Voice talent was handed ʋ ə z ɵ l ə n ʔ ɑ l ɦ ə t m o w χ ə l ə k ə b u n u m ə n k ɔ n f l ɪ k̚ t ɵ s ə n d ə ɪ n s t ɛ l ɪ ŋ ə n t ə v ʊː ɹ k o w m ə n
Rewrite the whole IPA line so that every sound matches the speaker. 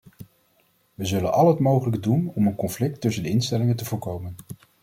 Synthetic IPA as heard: ʋ ə z ɵ l ə n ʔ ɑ l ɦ ə t m o w χ ə l ə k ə d u n ɔ m ə n k ɔ n f l ɪ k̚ t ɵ s ə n d ə ɪ n s t ɛ l ɪ ŋ ə n t ə v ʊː ɹ k o w m ə n